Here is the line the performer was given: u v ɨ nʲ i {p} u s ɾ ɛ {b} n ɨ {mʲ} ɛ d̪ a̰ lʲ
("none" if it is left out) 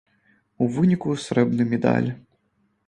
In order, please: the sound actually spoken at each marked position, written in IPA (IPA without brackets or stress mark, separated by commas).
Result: k, b, mʲ